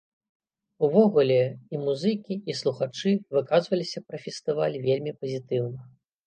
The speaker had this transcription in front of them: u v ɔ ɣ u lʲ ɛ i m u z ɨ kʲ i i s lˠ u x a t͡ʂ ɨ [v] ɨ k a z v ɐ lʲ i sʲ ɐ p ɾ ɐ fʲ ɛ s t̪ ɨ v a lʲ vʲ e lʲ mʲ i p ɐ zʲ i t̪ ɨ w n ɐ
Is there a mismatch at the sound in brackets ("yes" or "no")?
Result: no